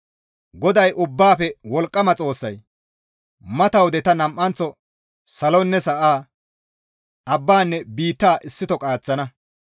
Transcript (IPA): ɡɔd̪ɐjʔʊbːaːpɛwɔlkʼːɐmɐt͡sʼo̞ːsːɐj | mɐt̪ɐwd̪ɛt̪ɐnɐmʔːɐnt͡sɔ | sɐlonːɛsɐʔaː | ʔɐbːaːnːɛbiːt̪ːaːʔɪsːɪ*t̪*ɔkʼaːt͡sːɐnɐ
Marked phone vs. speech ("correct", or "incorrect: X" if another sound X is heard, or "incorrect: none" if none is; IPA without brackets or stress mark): correct